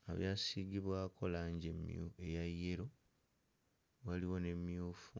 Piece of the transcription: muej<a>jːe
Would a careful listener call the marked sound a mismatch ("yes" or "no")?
no